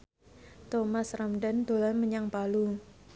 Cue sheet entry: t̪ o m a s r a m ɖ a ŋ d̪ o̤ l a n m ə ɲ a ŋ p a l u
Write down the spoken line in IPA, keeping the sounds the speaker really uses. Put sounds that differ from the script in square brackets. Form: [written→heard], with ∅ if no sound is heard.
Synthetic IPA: t̪ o m a s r a m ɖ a [ŋ→n] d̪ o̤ l a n m ə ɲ a ŋ p a l u